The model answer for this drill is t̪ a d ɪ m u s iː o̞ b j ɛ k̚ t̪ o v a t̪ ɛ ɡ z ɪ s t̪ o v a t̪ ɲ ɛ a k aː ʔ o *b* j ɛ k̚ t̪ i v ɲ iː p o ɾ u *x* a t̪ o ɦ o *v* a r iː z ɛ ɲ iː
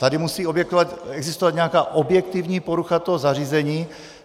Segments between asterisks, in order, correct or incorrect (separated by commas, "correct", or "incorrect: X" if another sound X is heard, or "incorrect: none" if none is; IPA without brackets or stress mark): correct, correct, incorrect: z